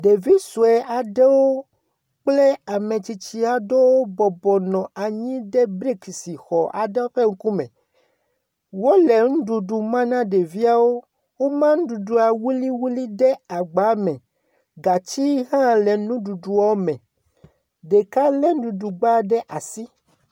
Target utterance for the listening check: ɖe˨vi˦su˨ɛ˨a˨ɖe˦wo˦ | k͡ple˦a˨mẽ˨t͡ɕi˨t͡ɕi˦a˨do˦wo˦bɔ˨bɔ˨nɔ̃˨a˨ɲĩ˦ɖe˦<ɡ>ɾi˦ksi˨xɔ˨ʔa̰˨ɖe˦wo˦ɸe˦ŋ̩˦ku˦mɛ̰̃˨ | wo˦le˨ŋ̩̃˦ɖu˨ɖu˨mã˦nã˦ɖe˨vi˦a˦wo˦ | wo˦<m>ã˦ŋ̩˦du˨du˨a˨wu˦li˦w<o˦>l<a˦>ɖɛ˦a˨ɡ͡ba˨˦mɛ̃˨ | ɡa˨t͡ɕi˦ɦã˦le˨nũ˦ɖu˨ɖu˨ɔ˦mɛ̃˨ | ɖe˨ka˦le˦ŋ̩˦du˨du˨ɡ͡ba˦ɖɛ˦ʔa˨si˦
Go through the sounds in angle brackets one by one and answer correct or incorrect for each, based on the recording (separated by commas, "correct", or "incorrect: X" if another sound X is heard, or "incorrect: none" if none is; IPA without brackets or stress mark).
incorrect: b, correct, incorrect: u˦, incorrect: i˦